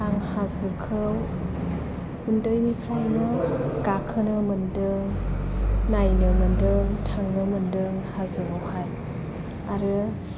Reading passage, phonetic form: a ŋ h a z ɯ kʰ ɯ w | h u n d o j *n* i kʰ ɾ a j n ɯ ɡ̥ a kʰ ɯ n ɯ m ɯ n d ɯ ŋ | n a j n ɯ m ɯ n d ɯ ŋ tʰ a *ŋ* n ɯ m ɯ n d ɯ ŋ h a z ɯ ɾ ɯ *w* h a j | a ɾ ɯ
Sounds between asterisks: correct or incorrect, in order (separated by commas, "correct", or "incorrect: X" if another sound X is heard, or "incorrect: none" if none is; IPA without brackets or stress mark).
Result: correct, correct, correct